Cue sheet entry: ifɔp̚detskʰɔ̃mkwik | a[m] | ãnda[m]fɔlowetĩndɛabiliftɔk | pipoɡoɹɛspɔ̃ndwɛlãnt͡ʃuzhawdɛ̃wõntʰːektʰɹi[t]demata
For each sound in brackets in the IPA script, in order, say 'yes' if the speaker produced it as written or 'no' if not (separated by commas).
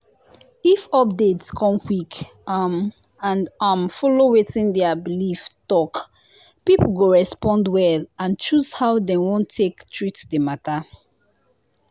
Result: yes, yes, yes